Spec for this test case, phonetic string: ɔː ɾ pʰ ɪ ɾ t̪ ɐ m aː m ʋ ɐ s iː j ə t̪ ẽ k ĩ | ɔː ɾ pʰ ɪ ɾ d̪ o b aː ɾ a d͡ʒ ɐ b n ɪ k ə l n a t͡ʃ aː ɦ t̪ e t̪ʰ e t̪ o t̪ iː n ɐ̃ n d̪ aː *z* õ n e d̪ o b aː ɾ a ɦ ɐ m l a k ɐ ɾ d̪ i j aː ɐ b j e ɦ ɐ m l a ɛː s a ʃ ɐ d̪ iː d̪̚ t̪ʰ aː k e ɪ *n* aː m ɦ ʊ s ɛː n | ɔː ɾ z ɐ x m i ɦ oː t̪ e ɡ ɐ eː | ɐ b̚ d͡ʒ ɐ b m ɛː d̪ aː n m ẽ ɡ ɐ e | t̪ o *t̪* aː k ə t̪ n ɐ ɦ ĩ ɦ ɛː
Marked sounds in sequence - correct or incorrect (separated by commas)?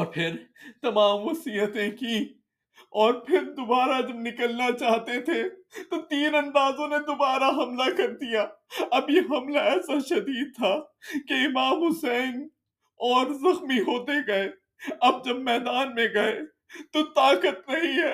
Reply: correct, incorrect, correct